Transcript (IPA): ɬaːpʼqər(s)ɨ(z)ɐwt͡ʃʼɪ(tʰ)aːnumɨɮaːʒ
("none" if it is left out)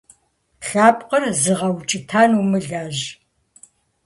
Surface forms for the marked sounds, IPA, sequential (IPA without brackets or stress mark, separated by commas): z, ʁ, tʰ